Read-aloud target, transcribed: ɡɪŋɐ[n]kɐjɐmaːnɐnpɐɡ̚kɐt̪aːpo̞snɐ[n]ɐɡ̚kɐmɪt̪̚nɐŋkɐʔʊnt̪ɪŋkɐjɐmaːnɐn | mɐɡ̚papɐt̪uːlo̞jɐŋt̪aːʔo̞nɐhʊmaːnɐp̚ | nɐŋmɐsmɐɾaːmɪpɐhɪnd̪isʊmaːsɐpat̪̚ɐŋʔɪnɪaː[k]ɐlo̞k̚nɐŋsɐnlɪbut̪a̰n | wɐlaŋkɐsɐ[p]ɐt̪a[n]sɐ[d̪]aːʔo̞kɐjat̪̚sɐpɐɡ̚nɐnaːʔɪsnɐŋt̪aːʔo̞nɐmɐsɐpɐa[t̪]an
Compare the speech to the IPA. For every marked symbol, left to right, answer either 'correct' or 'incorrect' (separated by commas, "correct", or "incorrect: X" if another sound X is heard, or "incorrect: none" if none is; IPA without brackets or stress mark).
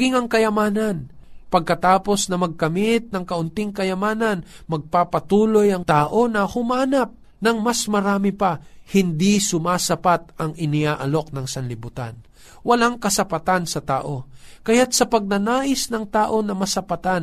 incorrect: ŋ, incorrect: m, incorrect: ʔ, correct, correct, incorrect: t̪, correct